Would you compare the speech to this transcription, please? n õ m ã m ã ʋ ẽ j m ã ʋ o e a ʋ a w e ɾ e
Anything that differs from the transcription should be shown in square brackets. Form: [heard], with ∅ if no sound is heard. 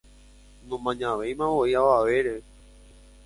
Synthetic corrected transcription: n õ m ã [ɲ] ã ʋ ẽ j m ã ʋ o [i] a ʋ a [ʋ] e ɾ e